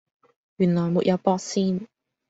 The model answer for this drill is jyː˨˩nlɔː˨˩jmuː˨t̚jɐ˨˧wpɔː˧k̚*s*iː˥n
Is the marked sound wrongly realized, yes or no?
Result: no